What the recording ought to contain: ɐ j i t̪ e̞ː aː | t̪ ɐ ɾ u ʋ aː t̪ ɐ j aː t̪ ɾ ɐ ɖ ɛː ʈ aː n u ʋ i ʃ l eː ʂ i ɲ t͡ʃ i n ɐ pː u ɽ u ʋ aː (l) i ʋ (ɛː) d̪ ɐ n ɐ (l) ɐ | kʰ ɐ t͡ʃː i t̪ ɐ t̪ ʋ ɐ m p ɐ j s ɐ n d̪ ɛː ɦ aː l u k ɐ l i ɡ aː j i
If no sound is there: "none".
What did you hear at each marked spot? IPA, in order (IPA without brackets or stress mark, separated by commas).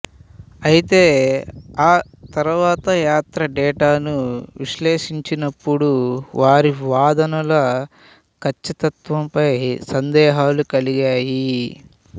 ɾ, aː, l